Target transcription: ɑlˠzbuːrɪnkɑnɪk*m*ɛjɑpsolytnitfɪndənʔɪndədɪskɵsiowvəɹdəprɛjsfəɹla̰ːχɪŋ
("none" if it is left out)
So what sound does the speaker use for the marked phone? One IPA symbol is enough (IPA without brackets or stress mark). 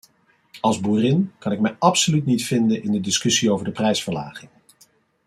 m